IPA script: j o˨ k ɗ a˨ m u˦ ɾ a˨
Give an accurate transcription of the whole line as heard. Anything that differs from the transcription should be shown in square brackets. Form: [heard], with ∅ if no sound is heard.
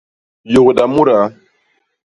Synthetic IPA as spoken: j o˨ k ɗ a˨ m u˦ ɾ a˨